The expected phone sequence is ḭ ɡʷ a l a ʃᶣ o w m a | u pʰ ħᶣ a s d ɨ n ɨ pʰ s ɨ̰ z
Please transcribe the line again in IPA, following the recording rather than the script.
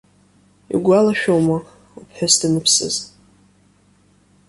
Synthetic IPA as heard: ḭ ɡʷ a l a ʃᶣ o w m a | u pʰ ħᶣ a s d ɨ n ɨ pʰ s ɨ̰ z